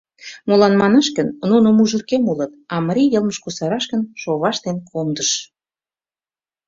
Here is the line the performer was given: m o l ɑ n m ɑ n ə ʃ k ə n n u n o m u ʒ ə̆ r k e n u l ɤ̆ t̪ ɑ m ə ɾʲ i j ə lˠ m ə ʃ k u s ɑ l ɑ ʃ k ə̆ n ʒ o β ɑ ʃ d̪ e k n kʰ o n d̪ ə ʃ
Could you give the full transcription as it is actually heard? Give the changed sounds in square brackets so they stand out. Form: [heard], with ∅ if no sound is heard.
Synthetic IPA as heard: m o l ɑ n m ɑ n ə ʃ k ə n n u n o m u ʒ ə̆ r k e [m] u l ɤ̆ t̪ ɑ m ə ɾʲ i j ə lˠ m ə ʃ k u s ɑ [ɾ] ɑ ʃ k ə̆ n [ʃ] o β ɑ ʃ [t̪] e [∅] n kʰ o [m] d̪ ə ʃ